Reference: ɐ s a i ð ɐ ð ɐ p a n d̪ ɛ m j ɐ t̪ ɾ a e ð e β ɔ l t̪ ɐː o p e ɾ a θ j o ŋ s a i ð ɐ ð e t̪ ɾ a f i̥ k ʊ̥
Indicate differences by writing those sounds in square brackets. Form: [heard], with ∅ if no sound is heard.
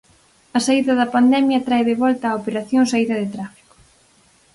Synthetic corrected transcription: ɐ s a i ð ɐ ð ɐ p a n d̪ ɛ m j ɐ t̪ ɾ a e ð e β ɔ l t̪ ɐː o p e ɾ a θ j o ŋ s a i ð ɐ ð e t̪ ɾ a f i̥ k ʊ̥